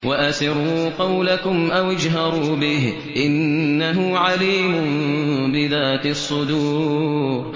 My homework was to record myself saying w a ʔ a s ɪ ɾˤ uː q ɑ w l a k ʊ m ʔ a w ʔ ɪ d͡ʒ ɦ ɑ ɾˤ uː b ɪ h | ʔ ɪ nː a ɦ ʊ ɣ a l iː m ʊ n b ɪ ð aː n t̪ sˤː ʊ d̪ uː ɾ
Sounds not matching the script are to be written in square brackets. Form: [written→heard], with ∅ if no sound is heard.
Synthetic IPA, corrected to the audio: w a ʔ a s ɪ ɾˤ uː q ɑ w l a k ʊ m ʔ a w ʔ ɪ d͡ʒ ɦ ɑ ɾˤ uː b ɪ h | ʔ ɪ nː a ɦ ʊ [ɣ→ʕ] a l iː m ʊ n b ɪ ð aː [n→∅] t̪ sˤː ʊ d̪ uː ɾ